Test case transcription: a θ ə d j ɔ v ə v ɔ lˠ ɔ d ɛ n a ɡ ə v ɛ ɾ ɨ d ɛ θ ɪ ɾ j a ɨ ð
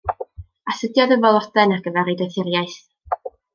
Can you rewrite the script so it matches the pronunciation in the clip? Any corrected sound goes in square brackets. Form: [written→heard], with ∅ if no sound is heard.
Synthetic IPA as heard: a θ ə d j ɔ [v→ð] ə v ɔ lˠ ɔ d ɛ n a ɡ ə v ɛ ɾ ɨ d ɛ θ ɪ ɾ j a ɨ [ð→θ]